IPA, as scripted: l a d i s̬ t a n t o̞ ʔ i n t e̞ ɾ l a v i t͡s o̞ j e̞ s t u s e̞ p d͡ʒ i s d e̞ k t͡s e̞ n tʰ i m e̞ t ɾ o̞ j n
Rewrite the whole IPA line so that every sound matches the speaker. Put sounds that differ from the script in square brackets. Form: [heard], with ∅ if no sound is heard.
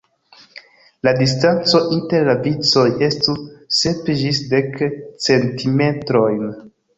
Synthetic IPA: l a d i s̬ t a n [t͡s] o̞ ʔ i n t e̞ ɾ l a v i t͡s o̞ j e̞ s t u s e̞ p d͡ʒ i s d e̞ k t͡s e̞ n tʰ i m e̞ t ɾ o̞ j n

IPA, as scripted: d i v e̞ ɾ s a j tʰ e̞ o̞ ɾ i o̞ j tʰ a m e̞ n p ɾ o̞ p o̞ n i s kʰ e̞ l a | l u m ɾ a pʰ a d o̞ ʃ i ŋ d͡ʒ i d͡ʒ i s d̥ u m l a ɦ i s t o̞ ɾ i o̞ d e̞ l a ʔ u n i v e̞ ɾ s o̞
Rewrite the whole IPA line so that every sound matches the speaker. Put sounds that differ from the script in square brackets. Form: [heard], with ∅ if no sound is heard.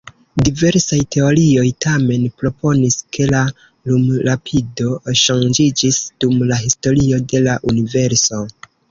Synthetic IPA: d i v e̞ ɾ s a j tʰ e̞ o̞ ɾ i o̞ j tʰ a m e̞ n p ɾ o̞ p o̞ n i s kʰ e̞ l a | l u m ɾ a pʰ [i] d o̞ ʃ [a] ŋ d͡ʒ i d͡ʒ i s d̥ u m l a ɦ i s t o̞ ɾ i o̞ d e̞ l a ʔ u n i v e̞ ɾ s o̞

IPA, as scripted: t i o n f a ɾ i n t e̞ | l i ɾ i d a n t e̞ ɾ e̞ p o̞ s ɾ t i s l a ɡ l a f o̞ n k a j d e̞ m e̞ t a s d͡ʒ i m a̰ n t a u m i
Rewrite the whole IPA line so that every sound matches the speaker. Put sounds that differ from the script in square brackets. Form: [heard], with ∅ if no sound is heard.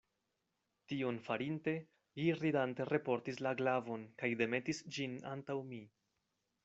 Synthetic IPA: t i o n f a ɾ i n t e̞ | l i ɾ i d a n t e̞ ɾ e̞ p o̞ [∅] ɾ t i s l a ɡ l a [v] o̞ n k a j d e̞ m e̞ t [i] s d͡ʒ i [n] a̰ n t a [w] m i

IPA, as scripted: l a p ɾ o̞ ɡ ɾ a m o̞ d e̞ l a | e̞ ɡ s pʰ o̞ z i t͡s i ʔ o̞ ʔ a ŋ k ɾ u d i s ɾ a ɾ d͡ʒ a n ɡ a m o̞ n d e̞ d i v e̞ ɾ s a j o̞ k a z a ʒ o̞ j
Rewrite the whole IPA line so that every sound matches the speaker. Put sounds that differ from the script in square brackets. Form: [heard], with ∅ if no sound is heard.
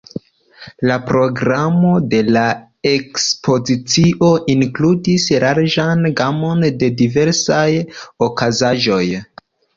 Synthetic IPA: l a p ɾ o̞ ɡ ɾ a m o̞ d e̞ l a | e̞ [k] s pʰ o̞ z i t͡s i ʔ o̞ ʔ [i] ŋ k [l] u d i s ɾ a ɾ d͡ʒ a n ɡ a m o̞ n d e̞ d i v e̞ ɾ s a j o̞ k a z a ʒ o̞ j

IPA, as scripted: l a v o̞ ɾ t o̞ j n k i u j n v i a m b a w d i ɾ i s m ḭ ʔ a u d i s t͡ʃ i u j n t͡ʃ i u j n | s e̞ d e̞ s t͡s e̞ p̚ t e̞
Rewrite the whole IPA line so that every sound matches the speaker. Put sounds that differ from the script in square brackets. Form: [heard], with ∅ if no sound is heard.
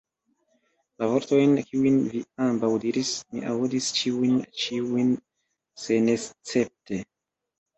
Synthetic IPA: l a v o̞ ɾ t o̞ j n k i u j n v i a m b a w d i ɾ i s m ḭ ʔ a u d i s t͡ʃ i u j n t͡ʃ i u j n | s e̞ [n] e̞ s t͡s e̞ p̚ t e̞

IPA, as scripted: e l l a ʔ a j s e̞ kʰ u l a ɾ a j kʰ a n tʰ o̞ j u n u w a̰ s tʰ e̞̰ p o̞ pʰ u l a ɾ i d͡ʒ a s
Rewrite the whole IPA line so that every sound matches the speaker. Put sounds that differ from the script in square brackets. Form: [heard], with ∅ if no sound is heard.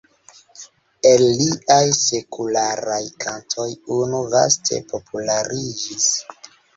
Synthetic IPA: e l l [i] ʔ a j s e̞ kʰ u l a ɾ a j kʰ a n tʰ o̞ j u n u [v] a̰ s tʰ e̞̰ p o̞ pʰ u l a ɾ i d͡ʒ [i] s

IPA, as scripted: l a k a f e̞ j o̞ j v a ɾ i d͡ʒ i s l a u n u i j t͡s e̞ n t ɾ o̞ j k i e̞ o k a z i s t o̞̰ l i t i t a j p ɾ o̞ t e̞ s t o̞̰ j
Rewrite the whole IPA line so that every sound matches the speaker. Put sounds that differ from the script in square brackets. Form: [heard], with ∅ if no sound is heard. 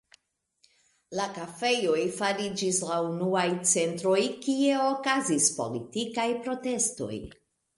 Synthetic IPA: l a k a f e̞ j o̞ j [f] a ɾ i d͡ʒ i s l a u n u [a] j t͡s e̞ n t ɾ o̞ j k i e̞ o k a z i s [p] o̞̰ l i t i [k] a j p ɾ o̞ t e̞ s t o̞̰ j

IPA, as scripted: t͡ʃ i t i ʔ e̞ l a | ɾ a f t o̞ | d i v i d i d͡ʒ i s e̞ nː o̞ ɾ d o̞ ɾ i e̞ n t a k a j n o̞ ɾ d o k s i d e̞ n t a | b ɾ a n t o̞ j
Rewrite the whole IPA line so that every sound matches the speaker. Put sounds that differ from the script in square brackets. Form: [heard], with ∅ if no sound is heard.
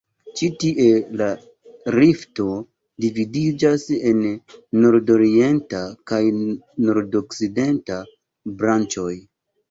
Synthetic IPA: t͡ʃ i t i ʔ e̞ l a | ɾ [i] f t o̞ | d i v i d i d͡ʒ [a] s e̞ nː o̞ ɾ d o̞ ɾ i e̞ n t a k a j n o̞ ɾ d o k s i d e̞ n t a | b ɾ a n [t͡ʃ] o̞ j

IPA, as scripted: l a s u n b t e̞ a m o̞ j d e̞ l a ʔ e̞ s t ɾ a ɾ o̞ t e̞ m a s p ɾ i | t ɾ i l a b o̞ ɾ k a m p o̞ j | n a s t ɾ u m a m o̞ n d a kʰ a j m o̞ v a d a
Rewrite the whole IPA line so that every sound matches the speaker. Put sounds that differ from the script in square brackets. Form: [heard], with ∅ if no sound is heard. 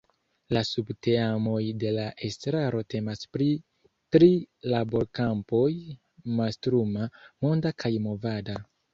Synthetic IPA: l a s u [∅] b t e̞ a m o̞ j d e̞ l a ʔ e̞ s t ɾ a ɾ o̞ t e̞ m a s p ɾ i | t ɾ i l a b o̞ ɾ k a m p o̞ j | [m] a s t ɾ u m a m o̞ n d a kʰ a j m o̞ v a d a

